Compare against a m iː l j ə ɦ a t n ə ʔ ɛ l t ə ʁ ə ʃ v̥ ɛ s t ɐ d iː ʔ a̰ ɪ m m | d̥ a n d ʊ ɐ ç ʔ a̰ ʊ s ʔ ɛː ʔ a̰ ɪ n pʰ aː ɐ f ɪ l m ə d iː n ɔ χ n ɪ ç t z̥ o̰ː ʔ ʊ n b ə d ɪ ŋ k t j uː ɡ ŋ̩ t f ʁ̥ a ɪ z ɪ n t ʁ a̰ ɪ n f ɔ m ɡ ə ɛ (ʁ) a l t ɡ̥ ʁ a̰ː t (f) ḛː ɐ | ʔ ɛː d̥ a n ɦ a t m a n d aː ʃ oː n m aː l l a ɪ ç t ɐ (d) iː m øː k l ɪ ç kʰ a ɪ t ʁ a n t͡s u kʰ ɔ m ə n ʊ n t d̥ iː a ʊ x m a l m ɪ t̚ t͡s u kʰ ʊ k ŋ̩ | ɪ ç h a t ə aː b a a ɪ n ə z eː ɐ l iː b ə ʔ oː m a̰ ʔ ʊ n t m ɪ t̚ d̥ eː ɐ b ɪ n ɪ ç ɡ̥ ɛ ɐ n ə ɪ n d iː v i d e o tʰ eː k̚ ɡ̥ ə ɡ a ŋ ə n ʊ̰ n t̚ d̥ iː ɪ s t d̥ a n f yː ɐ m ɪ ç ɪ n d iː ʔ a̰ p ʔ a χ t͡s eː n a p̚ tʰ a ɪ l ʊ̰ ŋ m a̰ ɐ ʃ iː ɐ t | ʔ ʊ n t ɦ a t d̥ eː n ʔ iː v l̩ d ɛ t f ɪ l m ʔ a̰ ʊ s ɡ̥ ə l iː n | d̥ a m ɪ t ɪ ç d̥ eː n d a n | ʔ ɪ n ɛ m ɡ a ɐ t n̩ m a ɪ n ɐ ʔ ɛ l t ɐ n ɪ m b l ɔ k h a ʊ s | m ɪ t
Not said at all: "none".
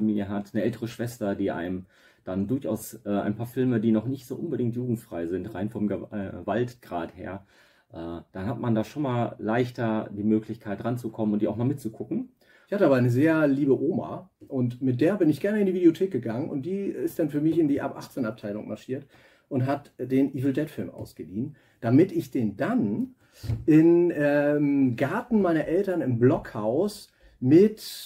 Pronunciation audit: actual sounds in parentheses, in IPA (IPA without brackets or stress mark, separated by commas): v, h, d